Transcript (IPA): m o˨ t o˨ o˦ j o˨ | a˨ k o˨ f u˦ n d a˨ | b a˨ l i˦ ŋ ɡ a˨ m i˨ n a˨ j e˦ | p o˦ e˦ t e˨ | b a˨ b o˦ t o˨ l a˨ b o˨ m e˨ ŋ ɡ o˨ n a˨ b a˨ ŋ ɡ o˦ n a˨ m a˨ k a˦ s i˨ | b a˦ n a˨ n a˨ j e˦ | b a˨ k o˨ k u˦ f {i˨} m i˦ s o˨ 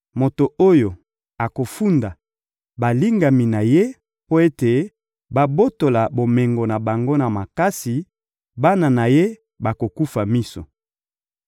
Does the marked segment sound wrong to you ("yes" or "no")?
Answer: yes